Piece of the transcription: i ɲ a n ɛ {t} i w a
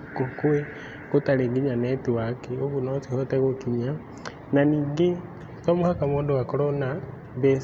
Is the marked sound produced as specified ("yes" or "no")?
yes